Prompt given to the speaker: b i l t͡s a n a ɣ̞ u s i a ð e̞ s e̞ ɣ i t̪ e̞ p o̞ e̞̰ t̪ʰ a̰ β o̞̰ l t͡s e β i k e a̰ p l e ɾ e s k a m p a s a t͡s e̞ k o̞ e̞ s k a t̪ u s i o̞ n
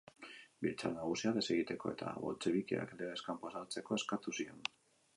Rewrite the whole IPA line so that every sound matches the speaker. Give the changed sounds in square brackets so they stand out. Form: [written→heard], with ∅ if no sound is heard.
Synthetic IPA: b i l t͡s a n a ɣ̞ u s i a ð e̞ s e̞ ɣ i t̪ e̞ [p→k] o̞ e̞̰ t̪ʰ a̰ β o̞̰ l t͡s e β i k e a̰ [p→k] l e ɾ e s k a m p a s a t͡s e̞ k o̞ e̞ s k a t̪ u s i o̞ n